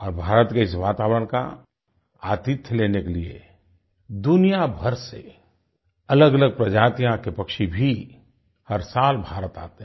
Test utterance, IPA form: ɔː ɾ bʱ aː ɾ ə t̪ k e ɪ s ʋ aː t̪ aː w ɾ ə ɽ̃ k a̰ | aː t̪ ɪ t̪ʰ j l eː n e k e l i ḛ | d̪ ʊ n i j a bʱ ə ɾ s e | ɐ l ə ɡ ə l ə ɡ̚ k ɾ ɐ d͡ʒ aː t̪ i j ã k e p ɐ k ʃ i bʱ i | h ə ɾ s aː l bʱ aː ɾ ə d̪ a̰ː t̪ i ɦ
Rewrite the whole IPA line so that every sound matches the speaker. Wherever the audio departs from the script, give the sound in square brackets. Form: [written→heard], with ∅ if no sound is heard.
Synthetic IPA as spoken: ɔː ɾ bʱ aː ɾ ə t̪ k e ɪ s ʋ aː t̪ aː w ɾ ə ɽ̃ k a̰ | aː t̪ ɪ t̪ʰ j l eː n e k e l i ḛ | d̪ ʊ n i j a bʱ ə ɾ s e | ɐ l ə ɡ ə l ə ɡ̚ [k→p] ɾ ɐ d͡ʒ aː t̪ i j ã k e p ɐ k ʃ i bʱ i | h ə ɾ s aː l bʱ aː ɾ ə [d̪→t̪] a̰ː t̪ [i→e] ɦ